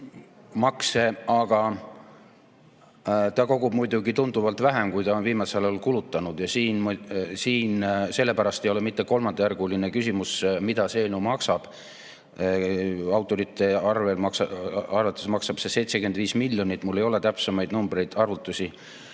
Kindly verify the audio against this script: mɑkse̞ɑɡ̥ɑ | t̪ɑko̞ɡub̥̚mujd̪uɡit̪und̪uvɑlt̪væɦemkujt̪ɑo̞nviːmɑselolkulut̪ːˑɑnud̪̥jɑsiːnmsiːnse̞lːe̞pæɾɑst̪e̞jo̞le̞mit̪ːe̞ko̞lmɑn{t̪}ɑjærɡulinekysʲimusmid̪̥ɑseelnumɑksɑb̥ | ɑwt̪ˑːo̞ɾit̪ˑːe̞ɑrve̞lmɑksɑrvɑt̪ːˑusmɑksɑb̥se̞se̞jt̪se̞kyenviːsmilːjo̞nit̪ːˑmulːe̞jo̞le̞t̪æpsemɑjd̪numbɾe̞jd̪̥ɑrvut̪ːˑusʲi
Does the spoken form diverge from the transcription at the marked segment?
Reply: yes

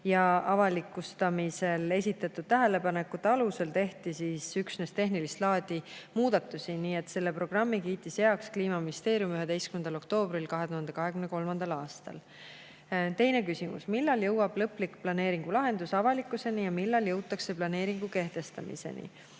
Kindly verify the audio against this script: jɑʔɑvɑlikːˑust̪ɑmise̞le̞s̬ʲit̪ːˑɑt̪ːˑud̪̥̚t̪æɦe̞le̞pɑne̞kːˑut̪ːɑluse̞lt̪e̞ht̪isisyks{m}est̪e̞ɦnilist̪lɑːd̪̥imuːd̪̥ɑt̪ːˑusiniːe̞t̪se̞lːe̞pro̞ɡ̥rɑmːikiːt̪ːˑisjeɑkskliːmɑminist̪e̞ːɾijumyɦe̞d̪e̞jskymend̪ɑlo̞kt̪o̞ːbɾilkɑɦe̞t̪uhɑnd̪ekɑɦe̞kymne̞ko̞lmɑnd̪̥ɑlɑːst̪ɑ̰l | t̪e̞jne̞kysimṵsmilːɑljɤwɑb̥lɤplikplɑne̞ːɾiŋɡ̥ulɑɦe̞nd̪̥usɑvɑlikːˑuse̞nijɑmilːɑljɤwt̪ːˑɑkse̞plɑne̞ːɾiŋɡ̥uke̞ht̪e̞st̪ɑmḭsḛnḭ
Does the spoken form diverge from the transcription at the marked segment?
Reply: yes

